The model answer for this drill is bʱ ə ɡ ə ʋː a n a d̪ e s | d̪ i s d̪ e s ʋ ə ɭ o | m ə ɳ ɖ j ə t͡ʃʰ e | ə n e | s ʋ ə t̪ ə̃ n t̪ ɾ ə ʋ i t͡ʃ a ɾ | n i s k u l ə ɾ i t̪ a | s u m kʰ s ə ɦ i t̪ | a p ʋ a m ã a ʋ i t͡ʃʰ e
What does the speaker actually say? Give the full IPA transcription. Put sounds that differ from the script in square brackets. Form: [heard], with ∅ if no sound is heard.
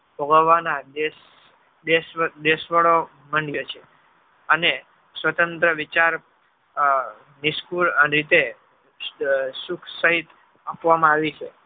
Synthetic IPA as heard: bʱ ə ɡ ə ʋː a n a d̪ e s | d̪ [e] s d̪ e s ʋ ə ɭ o | m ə ɳ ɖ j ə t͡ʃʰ e | ə n e | s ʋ ə t̪ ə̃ n t̪ ɾ ə ʋ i t͡ʃ a ɾ | n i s k u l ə ɾ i t̪ [e] | s u [∅] kʰ s ə ɦ i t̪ | a p ʋ a m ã a ʋ i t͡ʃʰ e